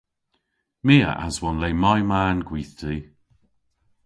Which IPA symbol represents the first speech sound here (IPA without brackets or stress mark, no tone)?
m